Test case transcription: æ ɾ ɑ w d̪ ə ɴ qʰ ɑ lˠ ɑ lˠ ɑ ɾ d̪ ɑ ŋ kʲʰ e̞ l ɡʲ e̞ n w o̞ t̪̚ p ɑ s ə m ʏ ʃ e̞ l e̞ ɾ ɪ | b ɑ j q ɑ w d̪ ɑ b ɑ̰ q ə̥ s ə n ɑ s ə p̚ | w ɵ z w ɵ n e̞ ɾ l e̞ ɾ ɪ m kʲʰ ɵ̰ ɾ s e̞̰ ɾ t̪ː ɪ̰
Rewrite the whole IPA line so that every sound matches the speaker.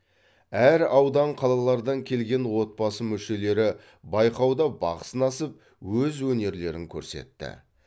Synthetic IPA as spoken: æ ɾ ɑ w d̪ ɑ ɴ qʰ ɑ lˠ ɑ lˠ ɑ ɾ d̪ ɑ ŋ kʲʰ e̞ l ɡʲ e̞ n w o̞ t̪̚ p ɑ s ə m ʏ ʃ e̞ l e̞ ɾ ɪ | b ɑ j q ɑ w d̪ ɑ b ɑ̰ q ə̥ s ə n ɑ s ə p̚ | w ɵ z w ɵ n e̞ ɾ l e̞ ɾ ɪ ŋ kʲʰ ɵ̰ ɾ s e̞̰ t̪ː ɪ̰